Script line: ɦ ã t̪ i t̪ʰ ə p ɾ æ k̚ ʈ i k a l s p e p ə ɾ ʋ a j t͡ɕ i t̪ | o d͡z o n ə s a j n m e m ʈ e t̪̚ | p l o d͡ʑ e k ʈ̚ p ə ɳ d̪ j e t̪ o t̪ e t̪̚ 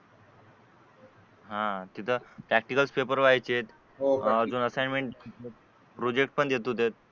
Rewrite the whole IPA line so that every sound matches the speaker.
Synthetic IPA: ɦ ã t̪ i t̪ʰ ə p ɾ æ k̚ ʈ i k ə l s p e p ə ɾ ʋ a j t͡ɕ e t̪ | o d͡z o n ə s a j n m e ɳ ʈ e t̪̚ | p ɾ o d͡ʑ e k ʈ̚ p ə ɳ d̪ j e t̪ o t̪ e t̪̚